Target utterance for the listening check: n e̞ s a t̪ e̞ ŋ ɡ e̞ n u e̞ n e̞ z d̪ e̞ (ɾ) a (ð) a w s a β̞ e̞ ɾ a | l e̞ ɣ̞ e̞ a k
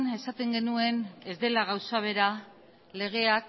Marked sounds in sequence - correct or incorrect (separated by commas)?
incorrect, incorrect